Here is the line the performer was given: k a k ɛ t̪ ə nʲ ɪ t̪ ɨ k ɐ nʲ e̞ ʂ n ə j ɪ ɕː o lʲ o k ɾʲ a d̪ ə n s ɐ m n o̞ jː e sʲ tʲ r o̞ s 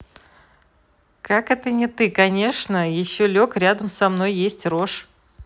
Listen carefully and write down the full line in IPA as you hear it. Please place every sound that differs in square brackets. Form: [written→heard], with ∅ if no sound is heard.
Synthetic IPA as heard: k a k ɛ t̪ ə nʲ ɪ t̪ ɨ k ɐ nʲ e̞ ʂ n ə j ɪ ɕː o lʲ o k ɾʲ a d̪ ə [n→m] s ɐ m n o̞ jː e sʲ tʲ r o̞ [s→ʂ]